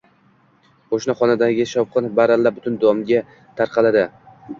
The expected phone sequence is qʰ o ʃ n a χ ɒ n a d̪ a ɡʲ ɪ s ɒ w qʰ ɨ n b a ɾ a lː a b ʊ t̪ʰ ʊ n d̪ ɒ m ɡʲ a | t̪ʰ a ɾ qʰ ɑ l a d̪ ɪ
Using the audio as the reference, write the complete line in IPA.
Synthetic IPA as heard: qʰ o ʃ n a χ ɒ n a d̪ a ɡʲ ɪ ʃ ɒ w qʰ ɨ n b a ɾ a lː a b ʊ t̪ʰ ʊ n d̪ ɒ m ɡʲ a | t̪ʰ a ɾ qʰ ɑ l a d̪ ɪ